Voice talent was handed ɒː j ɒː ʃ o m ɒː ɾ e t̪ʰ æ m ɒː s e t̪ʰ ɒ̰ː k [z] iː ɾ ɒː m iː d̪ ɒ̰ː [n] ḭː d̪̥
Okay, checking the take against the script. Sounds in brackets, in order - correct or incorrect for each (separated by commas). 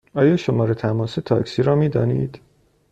incorrect, correct